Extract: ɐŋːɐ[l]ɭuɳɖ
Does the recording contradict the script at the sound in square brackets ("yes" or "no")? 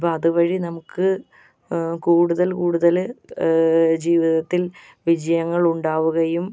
yes